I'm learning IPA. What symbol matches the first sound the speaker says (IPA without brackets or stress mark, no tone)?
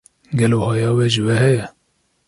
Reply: ɡ